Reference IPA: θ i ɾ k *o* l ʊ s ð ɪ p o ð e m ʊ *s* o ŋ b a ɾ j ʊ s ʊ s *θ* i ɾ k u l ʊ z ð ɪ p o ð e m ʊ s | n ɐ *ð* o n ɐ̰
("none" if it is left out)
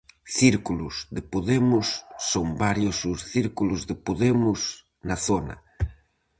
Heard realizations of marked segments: u, sː, θ, θ

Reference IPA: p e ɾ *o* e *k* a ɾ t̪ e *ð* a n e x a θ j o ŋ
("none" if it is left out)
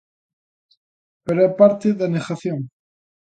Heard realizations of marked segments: o, p, ð

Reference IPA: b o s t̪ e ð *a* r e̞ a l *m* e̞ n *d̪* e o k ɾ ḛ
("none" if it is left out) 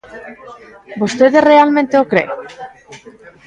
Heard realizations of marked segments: e, m, t̪

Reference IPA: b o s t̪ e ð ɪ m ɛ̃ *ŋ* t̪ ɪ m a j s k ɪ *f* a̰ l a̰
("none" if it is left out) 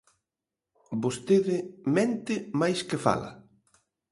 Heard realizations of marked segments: n, f

